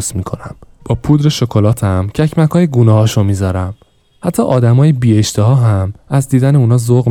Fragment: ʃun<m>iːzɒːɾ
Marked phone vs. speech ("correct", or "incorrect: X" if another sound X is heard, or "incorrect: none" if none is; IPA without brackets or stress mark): correct